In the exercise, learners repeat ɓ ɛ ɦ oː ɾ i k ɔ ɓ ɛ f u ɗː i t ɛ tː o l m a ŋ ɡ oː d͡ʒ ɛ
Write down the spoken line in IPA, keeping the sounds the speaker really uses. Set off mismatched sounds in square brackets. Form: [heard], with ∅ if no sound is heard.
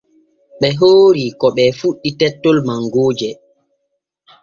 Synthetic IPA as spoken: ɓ ɛ ɦ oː ɾ i k ɔ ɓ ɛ f u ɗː i t ɛ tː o l m a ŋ ɡ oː d͡ʒ ɛ